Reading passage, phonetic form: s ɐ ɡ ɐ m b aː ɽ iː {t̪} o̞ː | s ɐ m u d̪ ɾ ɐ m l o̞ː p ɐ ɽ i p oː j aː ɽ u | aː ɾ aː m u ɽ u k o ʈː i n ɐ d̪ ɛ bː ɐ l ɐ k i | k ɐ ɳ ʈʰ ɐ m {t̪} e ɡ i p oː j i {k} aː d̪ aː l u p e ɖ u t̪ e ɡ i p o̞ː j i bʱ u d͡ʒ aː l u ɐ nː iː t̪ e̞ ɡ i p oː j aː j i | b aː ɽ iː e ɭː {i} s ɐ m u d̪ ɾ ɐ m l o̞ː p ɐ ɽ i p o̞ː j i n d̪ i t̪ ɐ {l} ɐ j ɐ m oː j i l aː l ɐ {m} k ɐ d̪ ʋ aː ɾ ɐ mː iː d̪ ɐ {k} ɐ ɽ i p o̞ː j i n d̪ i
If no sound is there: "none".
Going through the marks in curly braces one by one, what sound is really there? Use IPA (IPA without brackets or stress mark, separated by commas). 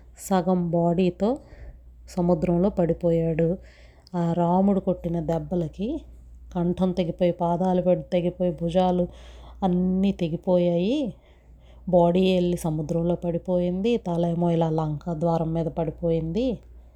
t̪, t̪, p, i, l, ŋ, p